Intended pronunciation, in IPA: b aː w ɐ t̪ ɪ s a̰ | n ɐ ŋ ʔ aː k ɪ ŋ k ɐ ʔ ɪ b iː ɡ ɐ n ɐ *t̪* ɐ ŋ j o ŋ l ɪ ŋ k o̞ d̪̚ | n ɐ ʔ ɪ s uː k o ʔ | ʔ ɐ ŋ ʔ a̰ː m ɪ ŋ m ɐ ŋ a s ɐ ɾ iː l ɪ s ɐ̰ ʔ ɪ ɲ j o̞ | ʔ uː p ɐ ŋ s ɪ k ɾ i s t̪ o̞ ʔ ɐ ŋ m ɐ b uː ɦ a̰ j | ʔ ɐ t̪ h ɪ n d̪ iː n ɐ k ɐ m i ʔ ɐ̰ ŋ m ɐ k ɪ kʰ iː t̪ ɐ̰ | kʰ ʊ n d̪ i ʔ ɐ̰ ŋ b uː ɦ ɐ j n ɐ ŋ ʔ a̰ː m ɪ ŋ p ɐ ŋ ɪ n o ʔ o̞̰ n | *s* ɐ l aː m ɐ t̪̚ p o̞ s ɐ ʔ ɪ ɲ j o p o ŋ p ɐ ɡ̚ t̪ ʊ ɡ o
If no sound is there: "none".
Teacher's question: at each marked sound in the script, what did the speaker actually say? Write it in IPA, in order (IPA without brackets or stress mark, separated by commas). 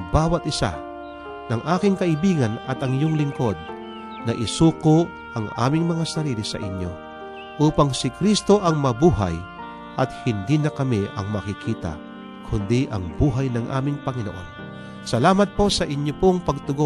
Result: t̪, s